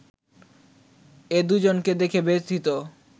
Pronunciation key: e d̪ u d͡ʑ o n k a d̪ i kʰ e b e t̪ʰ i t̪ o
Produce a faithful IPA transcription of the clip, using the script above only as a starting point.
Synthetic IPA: e d̪ u d͡ʑ o n k e d̪ e kʰ e b e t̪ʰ i t̪ o